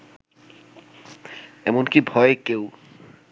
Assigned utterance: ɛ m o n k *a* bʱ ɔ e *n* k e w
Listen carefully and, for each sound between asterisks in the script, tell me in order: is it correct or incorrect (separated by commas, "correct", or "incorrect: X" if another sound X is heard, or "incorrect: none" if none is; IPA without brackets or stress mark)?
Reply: incorrect: i, incorrect: none